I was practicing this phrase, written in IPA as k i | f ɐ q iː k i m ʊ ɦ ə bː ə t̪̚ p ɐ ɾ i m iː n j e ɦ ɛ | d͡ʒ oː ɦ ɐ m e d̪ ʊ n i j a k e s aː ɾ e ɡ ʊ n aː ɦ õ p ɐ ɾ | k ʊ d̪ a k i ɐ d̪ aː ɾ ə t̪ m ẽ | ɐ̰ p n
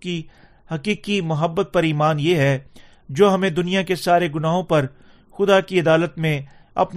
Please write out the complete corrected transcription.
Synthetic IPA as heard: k i | h ɐ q iː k i m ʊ ɦ ə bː ə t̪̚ p ɐ ɾ iː m aː n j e ɦ ɛ | d͡ʒ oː ɦ ɐ m ẽ d̪ ʊ n i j a k e s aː ɾ e ɡ ʊ n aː ɦ õ p ɐ ɾ | x ʊ d̪ a k i ɐ d̪ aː l ə t̪ m ẽ | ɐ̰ p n